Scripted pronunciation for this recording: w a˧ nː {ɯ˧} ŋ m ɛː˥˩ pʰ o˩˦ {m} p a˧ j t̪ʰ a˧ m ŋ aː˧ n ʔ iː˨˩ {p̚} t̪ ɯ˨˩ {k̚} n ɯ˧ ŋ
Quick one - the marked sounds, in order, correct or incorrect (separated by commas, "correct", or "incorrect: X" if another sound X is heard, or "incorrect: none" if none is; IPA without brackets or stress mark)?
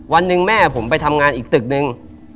correct, correct, incorrect: k̚, correct